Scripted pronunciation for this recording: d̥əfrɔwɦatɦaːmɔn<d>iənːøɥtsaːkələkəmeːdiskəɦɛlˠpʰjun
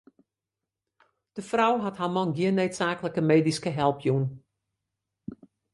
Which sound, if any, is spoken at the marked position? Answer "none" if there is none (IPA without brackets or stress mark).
ɡ